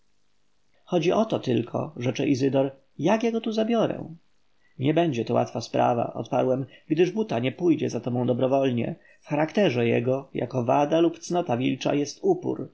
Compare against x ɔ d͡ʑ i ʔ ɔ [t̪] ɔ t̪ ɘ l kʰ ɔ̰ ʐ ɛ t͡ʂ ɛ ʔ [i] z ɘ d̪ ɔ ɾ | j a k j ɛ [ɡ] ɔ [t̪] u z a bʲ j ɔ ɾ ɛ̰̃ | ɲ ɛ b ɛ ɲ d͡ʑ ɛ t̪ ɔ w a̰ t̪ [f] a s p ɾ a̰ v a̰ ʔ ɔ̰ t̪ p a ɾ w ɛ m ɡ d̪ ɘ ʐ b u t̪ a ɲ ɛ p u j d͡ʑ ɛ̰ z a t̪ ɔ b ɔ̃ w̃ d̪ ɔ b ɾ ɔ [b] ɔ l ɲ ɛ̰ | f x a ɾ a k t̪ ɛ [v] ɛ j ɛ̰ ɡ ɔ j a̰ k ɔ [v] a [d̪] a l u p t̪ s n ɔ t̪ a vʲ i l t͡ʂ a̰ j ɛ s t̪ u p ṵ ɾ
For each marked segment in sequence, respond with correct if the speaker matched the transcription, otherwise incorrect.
correct, correct, correct, correct, correct, incorrect: v, incorrect: ʐ, correct, correct

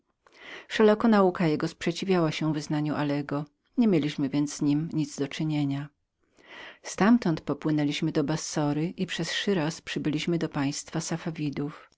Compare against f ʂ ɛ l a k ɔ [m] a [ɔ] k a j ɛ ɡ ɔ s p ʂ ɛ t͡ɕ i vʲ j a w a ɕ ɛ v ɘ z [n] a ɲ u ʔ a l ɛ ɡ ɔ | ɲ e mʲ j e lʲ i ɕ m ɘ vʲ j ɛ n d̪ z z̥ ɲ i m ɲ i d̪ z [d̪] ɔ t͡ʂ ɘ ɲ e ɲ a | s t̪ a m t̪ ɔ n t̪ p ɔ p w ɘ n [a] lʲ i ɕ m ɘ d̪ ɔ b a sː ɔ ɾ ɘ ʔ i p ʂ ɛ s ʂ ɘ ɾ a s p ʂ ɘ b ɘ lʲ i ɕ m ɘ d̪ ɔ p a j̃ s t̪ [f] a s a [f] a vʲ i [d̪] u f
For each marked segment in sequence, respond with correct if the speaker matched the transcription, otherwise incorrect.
incorrect: n, incorrect: u, correct, correct, incorrect: ɛ, correct, correct, correct

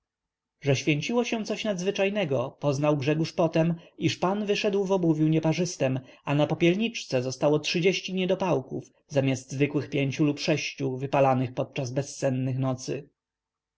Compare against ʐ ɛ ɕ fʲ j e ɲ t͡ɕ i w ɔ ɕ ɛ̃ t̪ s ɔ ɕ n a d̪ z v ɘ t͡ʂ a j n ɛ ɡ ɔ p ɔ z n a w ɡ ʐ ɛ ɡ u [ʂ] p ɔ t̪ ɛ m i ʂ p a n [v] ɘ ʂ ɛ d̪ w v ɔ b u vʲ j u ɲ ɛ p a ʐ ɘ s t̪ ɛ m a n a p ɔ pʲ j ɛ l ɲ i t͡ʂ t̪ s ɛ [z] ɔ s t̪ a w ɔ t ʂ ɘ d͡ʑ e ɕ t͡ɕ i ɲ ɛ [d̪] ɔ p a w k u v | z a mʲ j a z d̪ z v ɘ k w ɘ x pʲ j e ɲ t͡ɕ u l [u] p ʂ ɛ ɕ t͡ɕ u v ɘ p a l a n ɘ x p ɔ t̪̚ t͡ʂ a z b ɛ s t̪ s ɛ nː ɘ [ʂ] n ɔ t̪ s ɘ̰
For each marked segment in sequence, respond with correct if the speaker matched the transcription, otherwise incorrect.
correct, correct, correct, correct, correct, incorrect: x

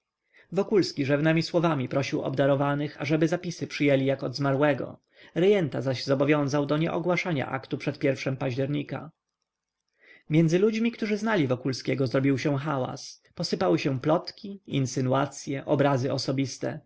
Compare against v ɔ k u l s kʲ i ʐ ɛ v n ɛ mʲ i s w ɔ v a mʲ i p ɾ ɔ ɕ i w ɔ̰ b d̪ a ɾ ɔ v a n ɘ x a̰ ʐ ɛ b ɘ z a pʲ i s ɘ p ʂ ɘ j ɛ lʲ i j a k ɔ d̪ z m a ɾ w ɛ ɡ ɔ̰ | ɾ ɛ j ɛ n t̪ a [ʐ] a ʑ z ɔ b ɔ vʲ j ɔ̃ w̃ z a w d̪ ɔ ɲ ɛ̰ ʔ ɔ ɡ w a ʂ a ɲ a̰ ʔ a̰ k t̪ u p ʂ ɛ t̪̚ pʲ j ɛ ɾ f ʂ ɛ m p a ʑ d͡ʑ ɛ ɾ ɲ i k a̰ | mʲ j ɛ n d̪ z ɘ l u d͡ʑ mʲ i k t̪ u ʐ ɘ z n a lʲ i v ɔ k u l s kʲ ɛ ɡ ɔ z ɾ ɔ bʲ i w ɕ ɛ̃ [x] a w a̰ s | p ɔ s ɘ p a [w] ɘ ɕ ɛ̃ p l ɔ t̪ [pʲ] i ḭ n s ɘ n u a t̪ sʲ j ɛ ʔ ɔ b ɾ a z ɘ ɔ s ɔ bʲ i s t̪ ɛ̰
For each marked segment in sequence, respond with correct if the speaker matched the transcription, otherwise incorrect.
incorrect: z, correct, correct, incorrect: kʲ

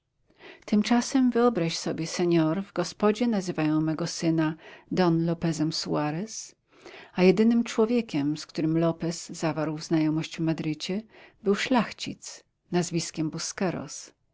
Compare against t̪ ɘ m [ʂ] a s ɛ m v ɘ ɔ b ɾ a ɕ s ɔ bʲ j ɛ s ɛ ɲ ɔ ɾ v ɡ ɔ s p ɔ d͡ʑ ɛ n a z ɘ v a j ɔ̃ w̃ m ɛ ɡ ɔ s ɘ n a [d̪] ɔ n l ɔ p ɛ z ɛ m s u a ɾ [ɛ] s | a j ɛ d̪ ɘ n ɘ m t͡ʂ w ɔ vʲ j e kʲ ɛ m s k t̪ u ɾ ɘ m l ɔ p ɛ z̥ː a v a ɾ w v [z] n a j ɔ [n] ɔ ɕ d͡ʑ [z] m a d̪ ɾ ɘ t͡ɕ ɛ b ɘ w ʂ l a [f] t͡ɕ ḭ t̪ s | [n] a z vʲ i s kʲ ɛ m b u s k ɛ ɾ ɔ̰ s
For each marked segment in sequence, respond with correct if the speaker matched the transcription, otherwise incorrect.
incorrect: t͡ʂ, correct, correct, correct, incorrect: m, incorrect: v, incorrect: x, correct

